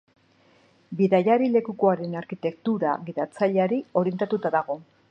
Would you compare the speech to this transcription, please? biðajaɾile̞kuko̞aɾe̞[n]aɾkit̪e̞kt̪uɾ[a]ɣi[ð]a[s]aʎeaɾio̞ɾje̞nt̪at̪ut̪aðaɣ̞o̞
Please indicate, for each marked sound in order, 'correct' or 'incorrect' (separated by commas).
correct, correct, correct, incorrect